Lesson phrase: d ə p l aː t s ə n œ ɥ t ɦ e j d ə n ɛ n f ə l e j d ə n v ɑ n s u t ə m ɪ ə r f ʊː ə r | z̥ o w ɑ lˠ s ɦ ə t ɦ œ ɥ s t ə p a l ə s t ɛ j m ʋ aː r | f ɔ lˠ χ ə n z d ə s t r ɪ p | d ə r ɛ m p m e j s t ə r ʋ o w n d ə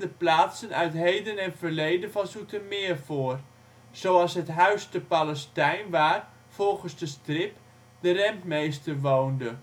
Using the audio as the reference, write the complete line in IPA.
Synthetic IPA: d ə p l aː t s ə n œ ɥ t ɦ e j d ə n ɛ n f ə l e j d ə n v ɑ n s u t ə m ɪ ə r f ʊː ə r | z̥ o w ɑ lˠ s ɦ ə t ɦ œ ɥ s t ə p a l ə s t ɛ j n ʋ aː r | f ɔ lˠ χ ə n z d ə s t r ɪ p | d ə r ɛ m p m e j s t ə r ʋ o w n d ə